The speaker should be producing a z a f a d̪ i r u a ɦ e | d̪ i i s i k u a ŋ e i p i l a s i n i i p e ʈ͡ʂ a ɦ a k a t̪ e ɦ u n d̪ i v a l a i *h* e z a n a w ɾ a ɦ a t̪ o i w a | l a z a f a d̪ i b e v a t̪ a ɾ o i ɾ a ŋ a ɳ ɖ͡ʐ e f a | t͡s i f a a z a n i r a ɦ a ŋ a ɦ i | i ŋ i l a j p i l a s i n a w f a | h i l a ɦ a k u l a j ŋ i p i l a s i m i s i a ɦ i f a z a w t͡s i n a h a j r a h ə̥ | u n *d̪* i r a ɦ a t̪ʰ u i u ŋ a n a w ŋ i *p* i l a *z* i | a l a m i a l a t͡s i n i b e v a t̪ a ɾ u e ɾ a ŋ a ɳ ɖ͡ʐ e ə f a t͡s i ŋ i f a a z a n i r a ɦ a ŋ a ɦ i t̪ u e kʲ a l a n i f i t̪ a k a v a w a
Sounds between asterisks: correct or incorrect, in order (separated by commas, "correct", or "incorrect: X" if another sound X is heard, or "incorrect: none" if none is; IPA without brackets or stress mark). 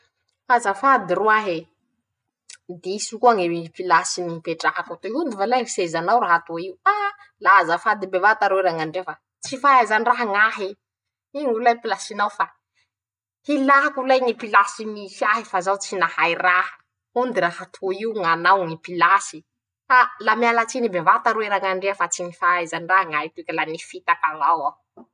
incorrect: s, correct, correct, incorrect: s